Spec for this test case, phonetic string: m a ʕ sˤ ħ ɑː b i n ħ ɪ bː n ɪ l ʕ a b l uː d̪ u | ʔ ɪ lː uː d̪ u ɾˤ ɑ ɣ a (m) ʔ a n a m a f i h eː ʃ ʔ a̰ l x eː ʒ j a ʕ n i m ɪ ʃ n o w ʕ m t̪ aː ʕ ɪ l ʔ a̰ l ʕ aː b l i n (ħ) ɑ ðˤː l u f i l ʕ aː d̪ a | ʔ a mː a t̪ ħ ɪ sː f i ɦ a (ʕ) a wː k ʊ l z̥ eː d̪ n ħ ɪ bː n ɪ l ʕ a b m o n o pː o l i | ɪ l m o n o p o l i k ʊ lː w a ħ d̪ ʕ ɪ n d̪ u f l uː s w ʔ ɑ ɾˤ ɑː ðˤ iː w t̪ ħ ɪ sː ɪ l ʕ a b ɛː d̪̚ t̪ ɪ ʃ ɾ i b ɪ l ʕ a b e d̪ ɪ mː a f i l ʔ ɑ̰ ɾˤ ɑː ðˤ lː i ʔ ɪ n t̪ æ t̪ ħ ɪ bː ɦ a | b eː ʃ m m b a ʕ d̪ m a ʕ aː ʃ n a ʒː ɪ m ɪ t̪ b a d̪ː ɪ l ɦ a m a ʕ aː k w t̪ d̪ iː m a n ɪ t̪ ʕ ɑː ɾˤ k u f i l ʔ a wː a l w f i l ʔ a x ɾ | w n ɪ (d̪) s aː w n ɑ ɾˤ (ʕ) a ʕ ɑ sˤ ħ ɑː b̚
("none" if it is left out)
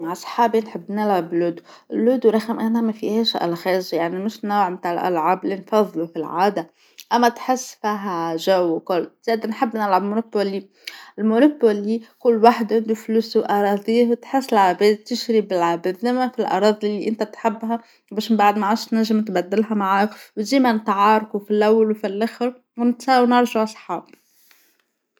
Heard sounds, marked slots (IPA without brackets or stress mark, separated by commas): m, f, ʒ, t̪, ʒ